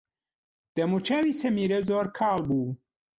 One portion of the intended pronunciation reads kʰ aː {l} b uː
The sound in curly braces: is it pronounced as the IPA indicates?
yes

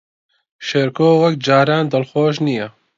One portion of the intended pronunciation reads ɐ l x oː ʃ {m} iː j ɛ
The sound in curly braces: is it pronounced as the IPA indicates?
no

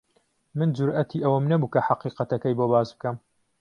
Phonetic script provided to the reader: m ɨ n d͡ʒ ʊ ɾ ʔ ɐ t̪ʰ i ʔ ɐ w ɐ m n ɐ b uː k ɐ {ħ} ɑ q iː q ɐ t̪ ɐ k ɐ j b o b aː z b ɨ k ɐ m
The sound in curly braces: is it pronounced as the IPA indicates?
yes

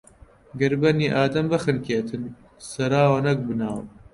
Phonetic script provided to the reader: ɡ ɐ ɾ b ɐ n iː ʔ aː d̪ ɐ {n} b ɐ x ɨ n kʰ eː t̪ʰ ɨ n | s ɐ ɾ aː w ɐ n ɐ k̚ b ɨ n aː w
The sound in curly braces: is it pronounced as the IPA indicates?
no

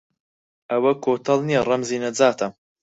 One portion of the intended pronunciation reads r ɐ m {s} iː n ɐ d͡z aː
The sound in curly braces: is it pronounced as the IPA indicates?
no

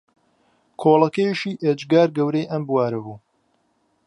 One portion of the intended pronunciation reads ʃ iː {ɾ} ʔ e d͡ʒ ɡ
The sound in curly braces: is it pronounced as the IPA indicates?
no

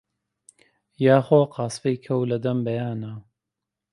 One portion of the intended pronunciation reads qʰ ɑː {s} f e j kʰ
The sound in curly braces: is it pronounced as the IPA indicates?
yes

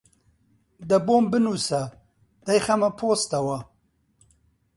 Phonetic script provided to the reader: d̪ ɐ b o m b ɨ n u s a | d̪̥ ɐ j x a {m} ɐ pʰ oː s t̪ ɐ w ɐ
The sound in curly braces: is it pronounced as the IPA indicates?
yes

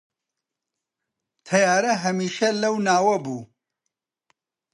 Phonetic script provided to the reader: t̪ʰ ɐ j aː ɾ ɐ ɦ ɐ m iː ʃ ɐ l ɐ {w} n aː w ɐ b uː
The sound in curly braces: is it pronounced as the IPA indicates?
yes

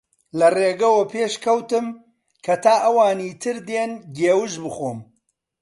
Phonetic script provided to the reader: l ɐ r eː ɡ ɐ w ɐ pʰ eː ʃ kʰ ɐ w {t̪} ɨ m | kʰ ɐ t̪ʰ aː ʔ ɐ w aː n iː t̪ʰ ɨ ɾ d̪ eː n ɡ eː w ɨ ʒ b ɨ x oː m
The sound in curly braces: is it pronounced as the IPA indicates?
yes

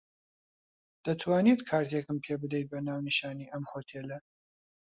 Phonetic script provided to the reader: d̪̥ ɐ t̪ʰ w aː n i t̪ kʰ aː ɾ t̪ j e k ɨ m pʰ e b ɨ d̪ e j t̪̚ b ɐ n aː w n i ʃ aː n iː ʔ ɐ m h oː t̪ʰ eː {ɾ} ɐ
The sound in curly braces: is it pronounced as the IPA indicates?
no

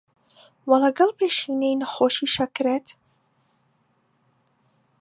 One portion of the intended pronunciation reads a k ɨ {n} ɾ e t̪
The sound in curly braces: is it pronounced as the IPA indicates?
no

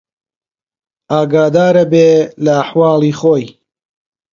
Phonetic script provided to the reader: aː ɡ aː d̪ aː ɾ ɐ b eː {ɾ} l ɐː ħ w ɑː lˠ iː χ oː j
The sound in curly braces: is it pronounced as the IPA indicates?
no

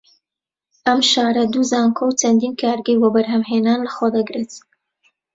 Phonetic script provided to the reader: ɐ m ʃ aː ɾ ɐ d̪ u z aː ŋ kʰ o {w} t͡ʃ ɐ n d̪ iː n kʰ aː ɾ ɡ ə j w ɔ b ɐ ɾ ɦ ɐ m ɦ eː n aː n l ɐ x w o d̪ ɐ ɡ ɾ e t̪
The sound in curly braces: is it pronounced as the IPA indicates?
yes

